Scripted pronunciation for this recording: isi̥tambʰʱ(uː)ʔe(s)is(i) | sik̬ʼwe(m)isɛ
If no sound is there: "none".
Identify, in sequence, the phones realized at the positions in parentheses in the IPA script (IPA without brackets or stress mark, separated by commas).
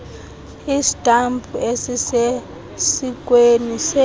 u, s, e, n